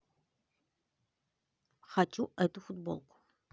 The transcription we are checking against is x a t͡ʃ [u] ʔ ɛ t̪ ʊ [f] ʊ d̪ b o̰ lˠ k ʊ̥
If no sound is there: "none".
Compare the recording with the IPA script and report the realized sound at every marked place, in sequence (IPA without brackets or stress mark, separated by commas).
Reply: u, f